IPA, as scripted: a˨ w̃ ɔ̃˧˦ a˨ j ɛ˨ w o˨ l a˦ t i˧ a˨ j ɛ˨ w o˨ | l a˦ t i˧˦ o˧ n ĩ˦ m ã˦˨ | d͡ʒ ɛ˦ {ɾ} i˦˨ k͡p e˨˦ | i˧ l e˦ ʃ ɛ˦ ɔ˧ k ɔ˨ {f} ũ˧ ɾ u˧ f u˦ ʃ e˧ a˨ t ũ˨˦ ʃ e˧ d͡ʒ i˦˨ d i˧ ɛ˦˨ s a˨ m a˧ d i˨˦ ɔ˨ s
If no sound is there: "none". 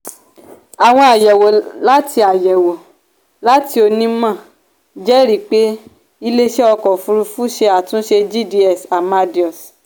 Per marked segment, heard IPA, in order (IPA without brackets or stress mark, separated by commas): ɾ, f